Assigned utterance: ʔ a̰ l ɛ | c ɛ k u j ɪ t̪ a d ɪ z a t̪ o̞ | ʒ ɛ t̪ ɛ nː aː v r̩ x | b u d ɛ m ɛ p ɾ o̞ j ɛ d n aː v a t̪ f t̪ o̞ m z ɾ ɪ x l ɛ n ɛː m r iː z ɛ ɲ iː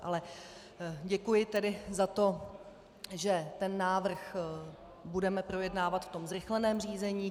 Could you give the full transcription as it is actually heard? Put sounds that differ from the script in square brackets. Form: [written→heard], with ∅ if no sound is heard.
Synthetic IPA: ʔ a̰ l ɛ | [c→ɟ] ɛ k u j ɪ t̪ [a→ɛ] d ɪ z a t̪ o̞ | ʒ ɛ t̪ ɛ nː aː v r̩ x | b u d ɛ m ɛ p ɾ o̞ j ɛ d n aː v a t̪ f t̪ o̞ m z ɾ ɪ x l ɛ n ɛː m r iː z ɛ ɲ iː